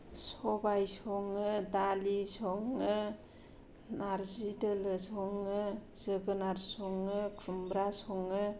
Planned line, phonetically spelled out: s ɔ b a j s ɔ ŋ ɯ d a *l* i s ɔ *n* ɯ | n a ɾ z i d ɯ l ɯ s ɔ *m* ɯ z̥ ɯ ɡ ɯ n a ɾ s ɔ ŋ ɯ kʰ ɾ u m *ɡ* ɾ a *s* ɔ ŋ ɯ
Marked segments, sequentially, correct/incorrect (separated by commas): correct, incorrect, incorrect, incorrect, correct